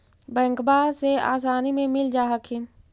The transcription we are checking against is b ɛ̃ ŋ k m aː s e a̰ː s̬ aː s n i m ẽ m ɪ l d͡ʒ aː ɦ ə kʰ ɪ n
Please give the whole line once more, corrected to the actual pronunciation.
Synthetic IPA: b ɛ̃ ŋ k b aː s e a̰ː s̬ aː n i m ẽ m ɪ l d͡ʒ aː ɦ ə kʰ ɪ n